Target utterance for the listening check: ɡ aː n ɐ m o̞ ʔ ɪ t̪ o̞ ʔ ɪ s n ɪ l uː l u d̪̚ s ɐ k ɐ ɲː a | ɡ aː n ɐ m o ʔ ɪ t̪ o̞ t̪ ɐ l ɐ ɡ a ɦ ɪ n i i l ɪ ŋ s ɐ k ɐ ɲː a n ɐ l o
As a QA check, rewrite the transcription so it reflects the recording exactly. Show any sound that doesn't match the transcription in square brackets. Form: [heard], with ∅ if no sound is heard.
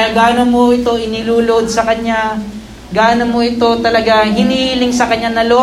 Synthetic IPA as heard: ɡ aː n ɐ m o̞ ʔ ɪ t̪ o̞ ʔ ɪ [∅] n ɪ l uː l [o] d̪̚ s ɐ k ɐ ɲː a | ɡ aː n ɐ m o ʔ ɪ t̪ o̞ t̪ ɐ l ɐ ɡ a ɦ ɪ n i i l ɪ ŋ s ɐ k ɐ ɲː a n ɐ l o